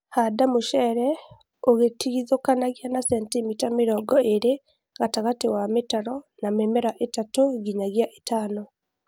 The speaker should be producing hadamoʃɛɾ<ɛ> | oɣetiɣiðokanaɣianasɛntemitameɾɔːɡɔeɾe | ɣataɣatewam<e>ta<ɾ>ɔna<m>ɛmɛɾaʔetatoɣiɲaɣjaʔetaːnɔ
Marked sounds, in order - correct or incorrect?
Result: correct, correct, correct, correct

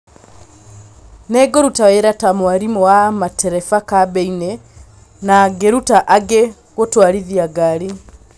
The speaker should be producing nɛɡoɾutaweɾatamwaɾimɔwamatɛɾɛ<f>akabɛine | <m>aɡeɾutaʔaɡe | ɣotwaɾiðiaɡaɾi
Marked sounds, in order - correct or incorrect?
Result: correct, incorrect: n

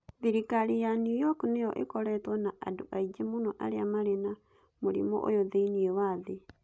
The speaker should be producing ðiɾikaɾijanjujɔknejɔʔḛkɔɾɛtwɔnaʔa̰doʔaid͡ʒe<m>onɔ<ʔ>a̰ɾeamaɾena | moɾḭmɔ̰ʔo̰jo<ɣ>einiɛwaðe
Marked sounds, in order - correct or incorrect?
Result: correct, correct, incorrect: ð

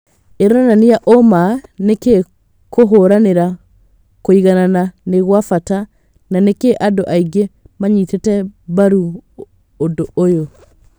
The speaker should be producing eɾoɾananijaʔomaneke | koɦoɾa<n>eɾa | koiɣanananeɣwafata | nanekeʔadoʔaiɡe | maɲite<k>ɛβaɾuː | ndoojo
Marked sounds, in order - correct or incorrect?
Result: correct, incorrect: t

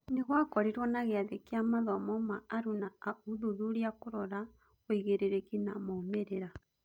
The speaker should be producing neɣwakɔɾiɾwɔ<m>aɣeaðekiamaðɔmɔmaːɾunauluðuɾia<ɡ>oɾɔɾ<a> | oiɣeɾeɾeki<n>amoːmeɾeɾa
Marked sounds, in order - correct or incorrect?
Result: incorrect: n, incorrect: k, correct, correct

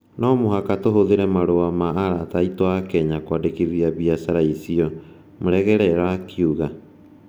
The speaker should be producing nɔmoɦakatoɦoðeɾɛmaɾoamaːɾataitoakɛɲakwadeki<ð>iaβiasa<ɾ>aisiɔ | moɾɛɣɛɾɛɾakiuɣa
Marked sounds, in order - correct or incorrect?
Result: correct, correct

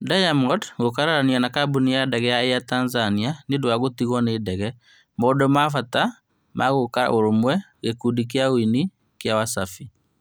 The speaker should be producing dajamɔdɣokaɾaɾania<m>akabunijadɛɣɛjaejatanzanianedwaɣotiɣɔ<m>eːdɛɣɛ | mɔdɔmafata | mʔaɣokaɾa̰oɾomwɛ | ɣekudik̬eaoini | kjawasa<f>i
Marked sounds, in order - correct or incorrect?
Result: incorrect: n, incorrect: n, correct

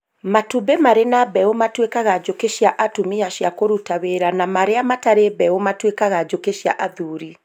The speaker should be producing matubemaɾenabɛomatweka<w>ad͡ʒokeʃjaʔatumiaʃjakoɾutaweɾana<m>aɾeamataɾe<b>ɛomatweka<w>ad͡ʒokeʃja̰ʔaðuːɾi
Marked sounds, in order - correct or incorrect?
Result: incorrect: ɣ, correct, correct, incorrect: ɣ

